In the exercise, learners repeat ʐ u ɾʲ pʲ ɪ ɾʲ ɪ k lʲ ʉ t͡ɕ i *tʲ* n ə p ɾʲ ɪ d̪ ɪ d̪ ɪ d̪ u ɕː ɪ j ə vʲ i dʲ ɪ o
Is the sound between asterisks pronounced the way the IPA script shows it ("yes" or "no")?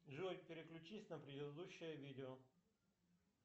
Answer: no